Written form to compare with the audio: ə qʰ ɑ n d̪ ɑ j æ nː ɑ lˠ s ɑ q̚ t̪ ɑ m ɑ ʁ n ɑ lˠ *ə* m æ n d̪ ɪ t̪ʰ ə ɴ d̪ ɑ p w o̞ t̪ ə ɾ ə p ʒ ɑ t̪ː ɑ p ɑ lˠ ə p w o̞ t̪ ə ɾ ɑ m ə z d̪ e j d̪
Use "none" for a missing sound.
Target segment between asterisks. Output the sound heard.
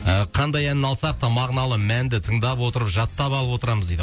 ə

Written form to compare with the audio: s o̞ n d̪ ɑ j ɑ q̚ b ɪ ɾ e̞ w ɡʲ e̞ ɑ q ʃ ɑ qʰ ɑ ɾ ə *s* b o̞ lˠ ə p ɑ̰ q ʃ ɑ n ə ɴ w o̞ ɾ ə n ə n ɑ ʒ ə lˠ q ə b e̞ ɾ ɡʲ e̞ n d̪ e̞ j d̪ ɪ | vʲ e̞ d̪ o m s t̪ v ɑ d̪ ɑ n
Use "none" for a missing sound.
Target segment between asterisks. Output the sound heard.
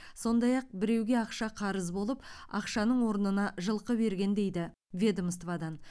z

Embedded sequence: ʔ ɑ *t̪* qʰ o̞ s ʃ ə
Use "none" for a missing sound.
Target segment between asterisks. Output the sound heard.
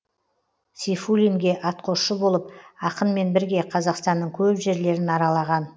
t̪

